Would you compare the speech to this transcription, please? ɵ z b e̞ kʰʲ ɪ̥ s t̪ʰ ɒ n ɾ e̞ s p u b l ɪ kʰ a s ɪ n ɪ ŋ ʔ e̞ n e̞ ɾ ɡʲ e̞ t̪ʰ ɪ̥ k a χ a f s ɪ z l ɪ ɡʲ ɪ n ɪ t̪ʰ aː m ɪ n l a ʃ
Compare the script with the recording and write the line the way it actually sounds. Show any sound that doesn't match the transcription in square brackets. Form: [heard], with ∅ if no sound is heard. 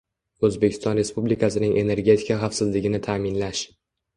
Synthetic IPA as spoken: ɵ z b e̞ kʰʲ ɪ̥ s [t̪] ɒ n ɾ e̞ s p u b l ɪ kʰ a s ɪ n ɪ ŋ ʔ e̞ n e̞ ɾ ɡʲ e̞ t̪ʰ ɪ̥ k a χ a f s ɪ z l ɪ ɡʲ ɪ n ɪ t̪ʰ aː m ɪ n l a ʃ